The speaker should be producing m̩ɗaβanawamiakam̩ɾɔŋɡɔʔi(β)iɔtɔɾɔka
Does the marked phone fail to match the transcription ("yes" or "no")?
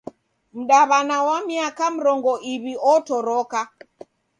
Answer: no